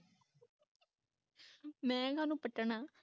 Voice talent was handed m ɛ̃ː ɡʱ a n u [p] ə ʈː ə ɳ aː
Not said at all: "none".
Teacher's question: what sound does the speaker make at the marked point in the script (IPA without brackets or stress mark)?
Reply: p